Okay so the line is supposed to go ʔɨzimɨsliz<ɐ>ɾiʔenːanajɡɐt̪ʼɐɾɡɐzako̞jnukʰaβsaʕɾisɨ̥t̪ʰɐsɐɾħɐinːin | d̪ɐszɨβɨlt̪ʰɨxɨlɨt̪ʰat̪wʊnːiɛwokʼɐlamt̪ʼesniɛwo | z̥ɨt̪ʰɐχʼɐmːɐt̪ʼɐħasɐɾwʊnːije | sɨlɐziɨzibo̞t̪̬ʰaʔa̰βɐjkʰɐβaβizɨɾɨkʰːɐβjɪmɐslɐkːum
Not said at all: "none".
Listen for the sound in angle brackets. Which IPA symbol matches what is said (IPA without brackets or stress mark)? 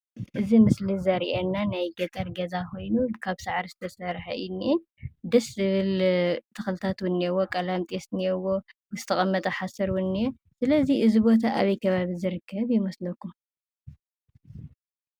ɐ